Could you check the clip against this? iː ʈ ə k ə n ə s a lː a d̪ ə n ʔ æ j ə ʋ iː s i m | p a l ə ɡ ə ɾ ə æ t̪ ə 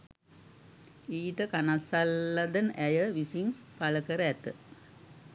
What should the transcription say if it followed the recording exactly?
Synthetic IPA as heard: iː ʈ ə k a n a s a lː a d̪ ə n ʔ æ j ə ʋ i s i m | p a l ə k ə ɾ ə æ t̪ ə